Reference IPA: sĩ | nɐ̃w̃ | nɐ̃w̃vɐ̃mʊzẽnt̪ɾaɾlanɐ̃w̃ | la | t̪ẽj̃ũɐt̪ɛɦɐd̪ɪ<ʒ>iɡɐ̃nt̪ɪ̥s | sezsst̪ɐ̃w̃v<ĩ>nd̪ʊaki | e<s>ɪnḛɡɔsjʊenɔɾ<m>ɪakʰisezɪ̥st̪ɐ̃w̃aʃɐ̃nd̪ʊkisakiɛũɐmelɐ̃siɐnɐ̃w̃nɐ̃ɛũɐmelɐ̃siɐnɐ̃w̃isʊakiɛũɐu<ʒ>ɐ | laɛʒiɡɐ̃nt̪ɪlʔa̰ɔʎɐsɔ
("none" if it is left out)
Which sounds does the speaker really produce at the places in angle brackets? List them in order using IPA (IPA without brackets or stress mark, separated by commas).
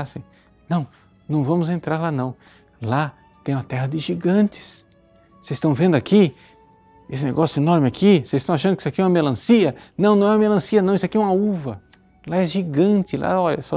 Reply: ʒ, ẽ, s, m, v